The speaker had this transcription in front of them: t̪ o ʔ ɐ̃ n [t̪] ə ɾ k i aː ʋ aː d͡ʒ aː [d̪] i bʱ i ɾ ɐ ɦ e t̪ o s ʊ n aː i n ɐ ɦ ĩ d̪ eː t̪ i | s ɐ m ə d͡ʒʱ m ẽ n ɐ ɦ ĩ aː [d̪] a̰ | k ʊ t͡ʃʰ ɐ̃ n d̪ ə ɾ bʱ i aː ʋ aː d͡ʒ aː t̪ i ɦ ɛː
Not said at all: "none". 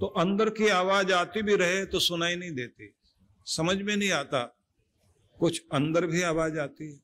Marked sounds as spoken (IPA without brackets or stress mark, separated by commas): d̪, t̪, t̪